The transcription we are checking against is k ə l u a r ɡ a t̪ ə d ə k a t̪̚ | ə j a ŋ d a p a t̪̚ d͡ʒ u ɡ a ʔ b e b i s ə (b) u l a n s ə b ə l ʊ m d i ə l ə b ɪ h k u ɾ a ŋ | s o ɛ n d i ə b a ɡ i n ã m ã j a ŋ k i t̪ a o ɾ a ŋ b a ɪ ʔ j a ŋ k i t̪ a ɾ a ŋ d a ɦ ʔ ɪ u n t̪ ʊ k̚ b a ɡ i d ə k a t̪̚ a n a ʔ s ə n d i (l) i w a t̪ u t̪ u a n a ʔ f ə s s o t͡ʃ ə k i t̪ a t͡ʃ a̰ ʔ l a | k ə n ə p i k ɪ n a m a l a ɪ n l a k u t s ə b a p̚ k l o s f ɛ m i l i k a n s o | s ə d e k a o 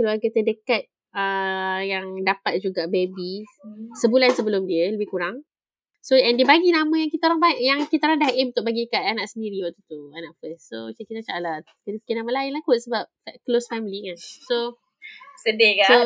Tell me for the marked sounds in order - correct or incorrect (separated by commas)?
correct, incorrect